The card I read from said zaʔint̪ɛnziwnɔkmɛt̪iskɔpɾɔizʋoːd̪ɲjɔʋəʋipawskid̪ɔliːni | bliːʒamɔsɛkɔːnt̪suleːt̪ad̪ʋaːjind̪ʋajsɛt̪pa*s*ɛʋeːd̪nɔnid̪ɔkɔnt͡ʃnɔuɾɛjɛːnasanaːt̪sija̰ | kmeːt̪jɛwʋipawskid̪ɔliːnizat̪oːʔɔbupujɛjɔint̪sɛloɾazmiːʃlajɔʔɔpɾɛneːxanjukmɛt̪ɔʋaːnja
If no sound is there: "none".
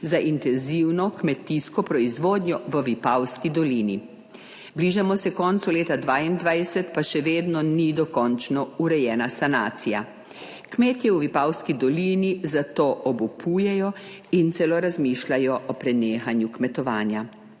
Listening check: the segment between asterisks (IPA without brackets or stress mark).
ʃ